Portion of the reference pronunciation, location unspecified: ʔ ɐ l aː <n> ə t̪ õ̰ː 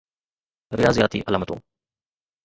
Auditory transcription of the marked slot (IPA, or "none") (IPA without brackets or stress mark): m